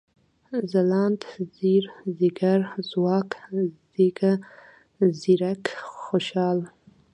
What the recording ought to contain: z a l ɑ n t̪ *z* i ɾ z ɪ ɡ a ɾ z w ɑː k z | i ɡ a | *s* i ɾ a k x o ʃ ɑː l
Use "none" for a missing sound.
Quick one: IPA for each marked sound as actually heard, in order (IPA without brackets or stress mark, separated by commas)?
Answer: z, z